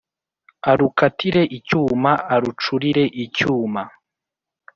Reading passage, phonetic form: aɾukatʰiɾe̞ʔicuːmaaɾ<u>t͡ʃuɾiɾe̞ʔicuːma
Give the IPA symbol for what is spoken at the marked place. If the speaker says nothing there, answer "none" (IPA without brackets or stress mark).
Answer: u